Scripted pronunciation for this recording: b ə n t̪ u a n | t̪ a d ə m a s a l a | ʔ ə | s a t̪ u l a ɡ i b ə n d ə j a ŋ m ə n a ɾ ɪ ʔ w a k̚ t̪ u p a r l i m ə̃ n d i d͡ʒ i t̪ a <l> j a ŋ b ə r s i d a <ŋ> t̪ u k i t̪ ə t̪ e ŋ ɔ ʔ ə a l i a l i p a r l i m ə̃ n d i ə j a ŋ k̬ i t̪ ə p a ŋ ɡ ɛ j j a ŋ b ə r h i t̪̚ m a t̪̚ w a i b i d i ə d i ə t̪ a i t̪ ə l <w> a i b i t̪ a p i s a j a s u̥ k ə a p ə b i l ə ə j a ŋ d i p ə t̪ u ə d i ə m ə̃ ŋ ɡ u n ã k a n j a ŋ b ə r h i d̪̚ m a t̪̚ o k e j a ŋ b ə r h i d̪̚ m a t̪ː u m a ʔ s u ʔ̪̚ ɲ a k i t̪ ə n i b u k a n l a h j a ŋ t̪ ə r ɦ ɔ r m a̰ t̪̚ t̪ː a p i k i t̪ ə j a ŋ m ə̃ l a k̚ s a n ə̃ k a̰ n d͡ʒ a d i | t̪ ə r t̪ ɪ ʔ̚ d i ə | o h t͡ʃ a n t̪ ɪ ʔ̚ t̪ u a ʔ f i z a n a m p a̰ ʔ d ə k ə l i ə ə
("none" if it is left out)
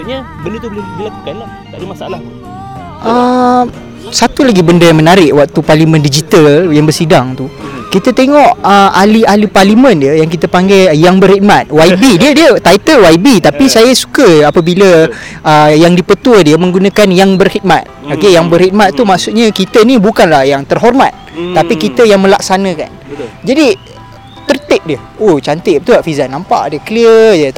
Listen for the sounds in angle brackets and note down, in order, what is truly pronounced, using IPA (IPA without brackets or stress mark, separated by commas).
l, ŋ, w